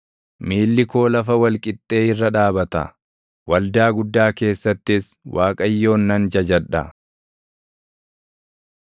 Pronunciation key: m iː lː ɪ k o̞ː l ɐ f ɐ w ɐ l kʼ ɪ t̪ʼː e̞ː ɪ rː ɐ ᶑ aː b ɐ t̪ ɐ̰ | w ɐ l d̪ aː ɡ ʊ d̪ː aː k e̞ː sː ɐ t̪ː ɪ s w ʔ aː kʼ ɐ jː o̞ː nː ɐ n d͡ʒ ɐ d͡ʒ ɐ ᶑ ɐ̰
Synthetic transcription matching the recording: m iː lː ɪ k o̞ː l ɐ f ɐ w ɐ l kʼ ɪ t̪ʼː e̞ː ɪ rː ɐ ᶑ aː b ɐ t̪ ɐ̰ | w ɐ l d̪ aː ɡ ʊ d̪ː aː k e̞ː sː ɐ t̪ː ɪ s w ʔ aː kʼ ɐ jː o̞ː nː ɐ n d͡ʒ ɐ d͡ʒ ɐ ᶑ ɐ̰